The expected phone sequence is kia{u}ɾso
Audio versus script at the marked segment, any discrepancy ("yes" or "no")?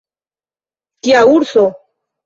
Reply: no